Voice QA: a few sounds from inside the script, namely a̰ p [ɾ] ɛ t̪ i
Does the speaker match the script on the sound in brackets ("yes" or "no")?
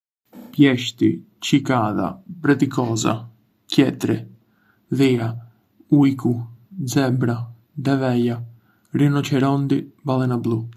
yes